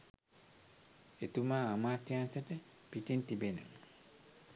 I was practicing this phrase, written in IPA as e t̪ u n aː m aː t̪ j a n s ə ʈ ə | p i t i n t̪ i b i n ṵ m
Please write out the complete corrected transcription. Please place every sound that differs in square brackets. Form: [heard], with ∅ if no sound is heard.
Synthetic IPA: e t̪ u [m] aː m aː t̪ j a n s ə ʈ ə | p i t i n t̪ i b [e] n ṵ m